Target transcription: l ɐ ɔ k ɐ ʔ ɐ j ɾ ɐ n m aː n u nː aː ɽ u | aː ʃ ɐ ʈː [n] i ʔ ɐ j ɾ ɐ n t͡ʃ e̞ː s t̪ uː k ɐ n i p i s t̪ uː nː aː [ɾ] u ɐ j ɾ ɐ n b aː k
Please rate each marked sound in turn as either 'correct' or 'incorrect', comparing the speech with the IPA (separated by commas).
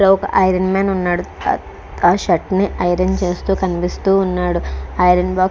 correct, incorrect